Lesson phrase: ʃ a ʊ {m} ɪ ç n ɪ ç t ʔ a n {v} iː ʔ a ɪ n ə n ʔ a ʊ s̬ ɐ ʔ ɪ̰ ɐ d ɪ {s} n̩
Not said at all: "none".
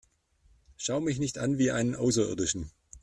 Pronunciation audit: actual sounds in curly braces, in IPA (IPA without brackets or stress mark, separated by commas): m, v, ʃ